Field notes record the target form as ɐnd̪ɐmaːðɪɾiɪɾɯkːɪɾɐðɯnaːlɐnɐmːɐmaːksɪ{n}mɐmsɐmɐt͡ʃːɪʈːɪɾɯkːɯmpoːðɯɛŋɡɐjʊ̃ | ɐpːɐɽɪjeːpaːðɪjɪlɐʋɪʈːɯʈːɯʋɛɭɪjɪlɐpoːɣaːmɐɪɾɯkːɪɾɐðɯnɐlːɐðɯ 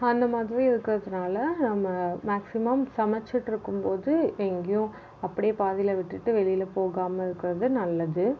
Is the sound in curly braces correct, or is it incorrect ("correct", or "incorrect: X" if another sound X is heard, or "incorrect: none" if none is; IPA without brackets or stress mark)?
incorrect: none